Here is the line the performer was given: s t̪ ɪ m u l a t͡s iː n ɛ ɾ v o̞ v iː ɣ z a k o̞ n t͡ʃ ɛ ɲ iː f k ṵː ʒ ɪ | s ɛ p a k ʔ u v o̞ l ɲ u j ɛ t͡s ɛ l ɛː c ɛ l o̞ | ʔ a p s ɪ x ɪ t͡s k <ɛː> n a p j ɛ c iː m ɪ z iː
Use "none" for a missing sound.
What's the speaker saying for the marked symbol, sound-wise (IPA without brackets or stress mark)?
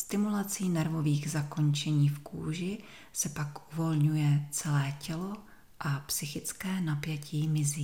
ɛː